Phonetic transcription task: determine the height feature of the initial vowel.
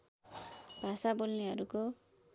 low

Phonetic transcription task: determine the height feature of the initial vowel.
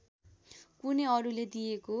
high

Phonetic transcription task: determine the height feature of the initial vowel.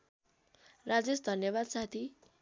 low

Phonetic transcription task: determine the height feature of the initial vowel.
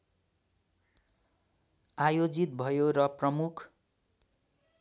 low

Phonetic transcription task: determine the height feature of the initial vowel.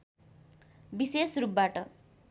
high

